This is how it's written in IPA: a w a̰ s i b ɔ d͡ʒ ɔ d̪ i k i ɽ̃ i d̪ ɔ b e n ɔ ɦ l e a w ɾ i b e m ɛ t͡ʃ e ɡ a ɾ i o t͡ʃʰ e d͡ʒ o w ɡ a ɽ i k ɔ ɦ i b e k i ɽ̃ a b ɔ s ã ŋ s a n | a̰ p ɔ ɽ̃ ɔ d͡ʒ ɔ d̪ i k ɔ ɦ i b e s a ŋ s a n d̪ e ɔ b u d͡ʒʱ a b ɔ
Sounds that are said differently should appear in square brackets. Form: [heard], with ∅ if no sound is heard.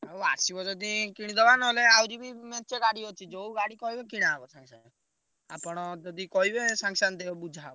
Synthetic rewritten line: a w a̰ s i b ɔ d͡ʒ ɔ d̪ i k i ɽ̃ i d̪ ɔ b [a] n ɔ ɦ l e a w ɾ i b [i] m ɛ t͡ʃ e ɡ a [ɽ] i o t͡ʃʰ [i] d͡ʒ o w ɡ a ɽ i k ɔ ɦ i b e k i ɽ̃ a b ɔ s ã ŋ s a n | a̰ p ɔ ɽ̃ ɔ d͡ʒ ɔ d̪ i k ɔ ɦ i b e s a ŋ s a n d̪ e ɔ b u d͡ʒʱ a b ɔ

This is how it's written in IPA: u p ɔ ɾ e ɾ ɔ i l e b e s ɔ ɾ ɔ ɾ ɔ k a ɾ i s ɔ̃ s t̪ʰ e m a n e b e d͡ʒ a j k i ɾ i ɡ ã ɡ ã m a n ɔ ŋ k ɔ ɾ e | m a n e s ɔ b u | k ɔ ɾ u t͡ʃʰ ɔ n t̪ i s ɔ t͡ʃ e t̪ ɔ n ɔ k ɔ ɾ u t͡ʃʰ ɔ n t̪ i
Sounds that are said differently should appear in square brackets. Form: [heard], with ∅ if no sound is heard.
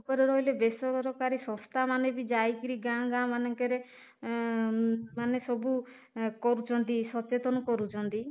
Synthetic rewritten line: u p ɔ ɾ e ɾ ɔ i l e b e s ɔ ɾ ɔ ɾ ɔ k a ɾ i s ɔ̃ s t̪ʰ [a] m a n e b [i] d͡ʒ a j k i ɾ i ɡ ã ɡ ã m a n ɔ ŋ k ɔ ɾ e | m a n e s ɔ b u | k ɔ ɾ u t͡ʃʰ ɔ n t̪ i s ɔ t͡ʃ e t̪ ɔ n ɔ k ɔ ɾ u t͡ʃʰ ɔ n t̪ i

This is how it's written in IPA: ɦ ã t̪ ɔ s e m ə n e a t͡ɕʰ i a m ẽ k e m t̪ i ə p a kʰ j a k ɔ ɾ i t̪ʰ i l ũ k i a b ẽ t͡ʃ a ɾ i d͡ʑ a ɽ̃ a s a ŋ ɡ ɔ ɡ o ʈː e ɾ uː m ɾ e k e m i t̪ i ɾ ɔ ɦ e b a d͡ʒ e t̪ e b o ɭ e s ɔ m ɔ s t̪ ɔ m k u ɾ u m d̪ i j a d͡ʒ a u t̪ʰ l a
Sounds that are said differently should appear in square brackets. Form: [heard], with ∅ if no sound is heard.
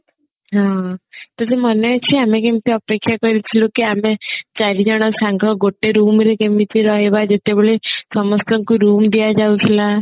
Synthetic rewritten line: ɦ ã t̪ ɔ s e m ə n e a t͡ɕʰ i a m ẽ k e m t̪ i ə p [e] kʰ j a k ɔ ɾ i t̪ʰ i l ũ k i a [m] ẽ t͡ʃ a ɾ i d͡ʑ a ɽ̃ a s a ŋ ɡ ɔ ɡ o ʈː e ɾ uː m ɾ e k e m i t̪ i ɾ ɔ ɦ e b a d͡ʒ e t̪ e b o ɭ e s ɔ m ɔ s t̪ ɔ [ŋ] k u ɾ u m d̪ i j a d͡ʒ a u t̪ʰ l a

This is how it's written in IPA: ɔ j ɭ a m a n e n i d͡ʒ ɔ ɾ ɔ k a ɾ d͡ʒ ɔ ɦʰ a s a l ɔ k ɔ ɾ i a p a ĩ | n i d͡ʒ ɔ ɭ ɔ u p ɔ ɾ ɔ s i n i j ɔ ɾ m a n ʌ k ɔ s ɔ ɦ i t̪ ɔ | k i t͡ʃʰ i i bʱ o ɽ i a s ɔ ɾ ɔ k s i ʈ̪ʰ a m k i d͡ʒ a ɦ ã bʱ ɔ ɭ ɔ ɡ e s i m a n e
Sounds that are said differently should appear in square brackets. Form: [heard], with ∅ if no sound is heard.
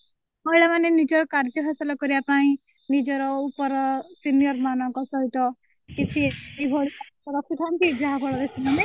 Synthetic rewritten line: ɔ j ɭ a m a n e n i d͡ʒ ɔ ɾ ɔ k a ɾ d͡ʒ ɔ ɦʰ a s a l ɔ k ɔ ɾ i a p a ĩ | n i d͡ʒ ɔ [ɾ] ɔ u p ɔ ɾ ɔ s i n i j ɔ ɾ m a n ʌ k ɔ s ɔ ɦ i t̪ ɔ | k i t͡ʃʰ i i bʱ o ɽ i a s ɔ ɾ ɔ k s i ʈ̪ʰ a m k i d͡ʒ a ɦ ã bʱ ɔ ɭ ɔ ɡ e s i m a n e

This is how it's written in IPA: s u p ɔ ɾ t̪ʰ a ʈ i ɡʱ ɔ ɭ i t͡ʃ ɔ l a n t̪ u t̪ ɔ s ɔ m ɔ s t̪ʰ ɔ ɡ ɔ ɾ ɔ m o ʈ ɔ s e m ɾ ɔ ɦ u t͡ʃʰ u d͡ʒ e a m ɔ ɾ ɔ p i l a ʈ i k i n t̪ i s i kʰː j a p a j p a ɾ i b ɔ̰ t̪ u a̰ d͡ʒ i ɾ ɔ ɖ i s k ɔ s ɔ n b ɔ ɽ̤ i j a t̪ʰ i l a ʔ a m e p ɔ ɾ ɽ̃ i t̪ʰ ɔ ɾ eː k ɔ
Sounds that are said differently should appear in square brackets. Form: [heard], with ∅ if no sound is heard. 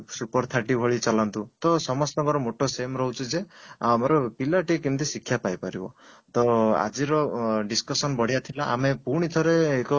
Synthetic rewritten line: s u p ɔ ɾ t̪ʰ a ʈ i [bʱ] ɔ ɭ i t͡ʃ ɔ l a n t̪ u t̪ ɔ s ɔ m ɔ s [t̪] ɔ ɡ ɔ ɾ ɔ m o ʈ ɔ s e m ɾ ɔ ɦ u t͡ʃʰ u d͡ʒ e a m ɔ ɾ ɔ p i l a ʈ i k i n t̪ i s i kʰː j a p a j p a ɾ i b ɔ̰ t̪ [ɔ] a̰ d͡ʒ i ɾ ɔ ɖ i s k ɔ s ɔ n b ɔ ɽ̤ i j a t̪ʰ i l a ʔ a m e p [u] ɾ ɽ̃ i t̪ʰ ɔ ɾ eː k ɔ

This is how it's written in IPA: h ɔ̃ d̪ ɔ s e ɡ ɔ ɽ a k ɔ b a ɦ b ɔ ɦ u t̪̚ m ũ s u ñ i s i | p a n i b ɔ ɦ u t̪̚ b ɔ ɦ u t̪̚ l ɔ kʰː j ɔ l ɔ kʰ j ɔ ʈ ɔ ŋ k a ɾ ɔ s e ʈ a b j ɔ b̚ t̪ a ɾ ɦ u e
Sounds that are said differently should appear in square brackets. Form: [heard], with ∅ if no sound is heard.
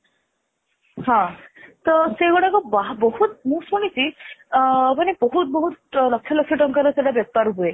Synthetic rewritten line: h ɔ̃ [t̪] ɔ s e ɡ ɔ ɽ a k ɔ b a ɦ b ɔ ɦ u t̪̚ m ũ s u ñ i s i | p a n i b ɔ ɦ u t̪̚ b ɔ ɦ u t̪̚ l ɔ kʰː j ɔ l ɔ kʰ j ɔ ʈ ɔ ŋ k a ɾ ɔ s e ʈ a b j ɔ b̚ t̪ a ɾ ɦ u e

